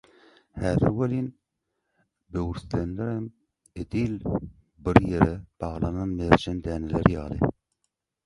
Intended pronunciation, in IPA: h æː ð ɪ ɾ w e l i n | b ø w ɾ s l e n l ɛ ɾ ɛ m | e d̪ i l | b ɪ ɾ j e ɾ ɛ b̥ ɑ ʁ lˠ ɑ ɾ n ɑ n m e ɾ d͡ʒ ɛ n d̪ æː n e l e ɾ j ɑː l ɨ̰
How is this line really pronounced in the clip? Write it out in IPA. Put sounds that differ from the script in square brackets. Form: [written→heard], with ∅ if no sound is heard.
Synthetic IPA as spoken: h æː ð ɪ ɾ w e l i n | b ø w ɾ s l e n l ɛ ɾ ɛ m | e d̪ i l | b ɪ ɾ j e ɾ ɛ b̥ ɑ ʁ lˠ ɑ [ɾ→∅] n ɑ n m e ɾ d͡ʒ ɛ n d̪ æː n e l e ɾ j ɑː l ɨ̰